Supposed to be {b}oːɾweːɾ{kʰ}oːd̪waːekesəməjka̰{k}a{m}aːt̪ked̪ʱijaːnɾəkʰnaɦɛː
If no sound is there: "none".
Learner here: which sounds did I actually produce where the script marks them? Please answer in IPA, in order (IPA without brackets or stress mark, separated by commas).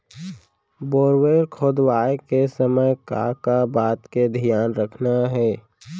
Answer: b, kʰ, k, b